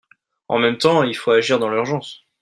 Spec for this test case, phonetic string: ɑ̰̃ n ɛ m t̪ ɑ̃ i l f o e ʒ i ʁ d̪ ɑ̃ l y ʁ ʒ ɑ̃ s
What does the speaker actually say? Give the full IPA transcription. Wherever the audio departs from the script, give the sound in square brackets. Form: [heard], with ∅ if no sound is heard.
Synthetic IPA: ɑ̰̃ [m] ɛ m t̪ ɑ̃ i l f o [a] ʒ i ʁ d̪ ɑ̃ l y ʁ ʒ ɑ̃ s